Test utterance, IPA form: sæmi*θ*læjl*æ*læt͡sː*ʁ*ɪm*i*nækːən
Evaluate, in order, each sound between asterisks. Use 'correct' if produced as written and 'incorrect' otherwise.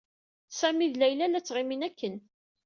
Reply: incorrect: ð, correct, correct, correct

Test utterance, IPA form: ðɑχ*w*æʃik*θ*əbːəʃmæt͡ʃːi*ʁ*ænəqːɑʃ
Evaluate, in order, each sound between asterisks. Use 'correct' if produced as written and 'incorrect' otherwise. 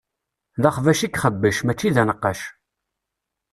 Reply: incorrect: v, incorrect: χ, incorrect: ð

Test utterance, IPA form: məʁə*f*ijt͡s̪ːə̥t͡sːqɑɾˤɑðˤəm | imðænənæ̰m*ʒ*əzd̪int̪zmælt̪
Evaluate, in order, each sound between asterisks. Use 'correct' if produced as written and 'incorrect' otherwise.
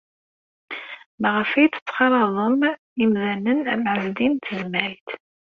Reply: correct, incorrect: ʕ

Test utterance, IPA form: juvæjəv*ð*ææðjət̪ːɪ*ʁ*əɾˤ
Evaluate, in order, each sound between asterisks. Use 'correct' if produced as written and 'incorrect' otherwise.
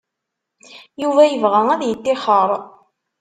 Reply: incorrect: ʁ, incorrect: χ

